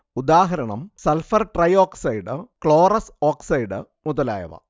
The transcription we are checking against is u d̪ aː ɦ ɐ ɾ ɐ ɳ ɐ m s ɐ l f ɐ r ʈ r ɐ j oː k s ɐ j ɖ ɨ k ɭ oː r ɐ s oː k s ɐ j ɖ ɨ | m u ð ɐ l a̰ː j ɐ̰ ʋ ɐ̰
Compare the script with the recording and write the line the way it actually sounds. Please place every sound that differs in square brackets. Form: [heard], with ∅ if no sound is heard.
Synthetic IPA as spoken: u d̪ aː ɦ ɐ ɾ ɐ ɳ ɐ m s ɐ l f ɐ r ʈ r ɐ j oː k s ɐ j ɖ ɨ k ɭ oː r ɐ s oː k s ɐ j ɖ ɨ | m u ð ɐ l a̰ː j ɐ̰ ʋ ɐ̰